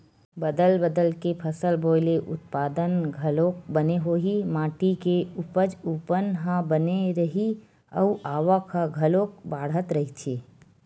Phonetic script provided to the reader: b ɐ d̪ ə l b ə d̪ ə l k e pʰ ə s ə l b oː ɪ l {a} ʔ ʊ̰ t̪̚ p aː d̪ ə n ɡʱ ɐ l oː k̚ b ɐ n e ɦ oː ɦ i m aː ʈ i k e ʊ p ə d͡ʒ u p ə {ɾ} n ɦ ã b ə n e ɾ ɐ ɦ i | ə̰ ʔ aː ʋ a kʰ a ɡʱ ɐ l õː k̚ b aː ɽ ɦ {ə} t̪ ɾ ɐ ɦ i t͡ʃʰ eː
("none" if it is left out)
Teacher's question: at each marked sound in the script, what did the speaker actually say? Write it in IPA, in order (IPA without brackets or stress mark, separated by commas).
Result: e, none, ə